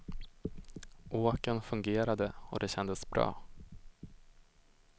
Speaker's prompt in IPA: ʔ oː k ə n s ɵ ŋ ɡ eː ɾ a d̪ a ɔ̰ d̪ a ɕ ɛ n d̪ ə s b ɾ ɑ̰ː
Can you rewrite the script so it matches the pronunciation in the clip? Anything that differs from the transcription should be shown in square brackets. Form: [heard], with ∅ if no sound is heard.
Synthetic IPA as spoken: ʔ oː k ə n [f] ɵ ŋ ɡ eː ɾ a d̪ [ə] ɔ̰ d̪ [ɛ] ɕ ɛ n d̪ ə s b ɾ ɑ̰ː